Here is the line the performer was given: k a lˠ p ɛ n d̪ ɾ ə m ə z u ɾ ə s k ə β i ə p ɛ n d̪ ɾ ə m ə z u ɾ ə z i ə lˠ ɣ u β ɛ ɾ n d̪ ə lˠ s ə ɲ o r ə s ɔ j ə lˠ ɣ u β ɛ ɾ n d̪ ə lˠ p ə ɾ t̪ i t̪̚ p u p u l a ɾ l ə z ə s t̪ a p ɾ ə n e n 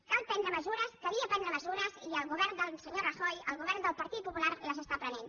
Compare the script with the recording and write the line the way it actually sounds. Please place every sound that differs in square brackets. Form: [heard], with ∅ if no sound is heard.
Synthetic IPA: k a lˠ p ɛ n d̪ ɾ ə m ə z u ɾ ə s k ə β i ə p ɛ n d̪ ɾ ə m ə z u ɾ ə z i ə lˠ ɣ u β ɛ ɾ n d̪ ə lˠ s ə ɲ o r ə [x] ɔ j ə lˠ ɣ u β ɛ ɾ n d̪ ə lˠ p ə ɾ t̪ i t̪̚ p u p u l a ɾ l ə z ə s t̪ a p ɾ ə n e n